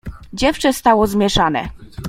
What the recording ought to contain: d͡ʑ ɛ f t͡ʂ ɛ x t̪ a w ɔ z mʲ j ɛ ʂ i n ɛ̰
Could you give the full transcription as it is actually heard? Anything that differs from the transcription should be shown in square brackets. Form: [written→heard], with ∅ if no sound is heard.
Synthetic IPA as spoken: d͡ʑ ɛ f t͡ʂ ɛ [x→s] t̪ a w ɔ z mʲ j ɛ ʂ [i→a] n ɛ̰